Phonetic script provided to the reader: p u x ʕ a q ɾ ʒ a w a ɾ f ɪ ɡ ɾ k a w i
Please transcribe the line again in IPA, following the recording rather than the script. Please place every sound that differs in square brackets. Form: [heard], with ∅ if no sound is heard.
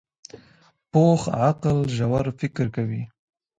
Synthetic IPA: p [o] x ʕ a q [l] ʒ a w a ɾ f ɪ [k] ɾ k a w i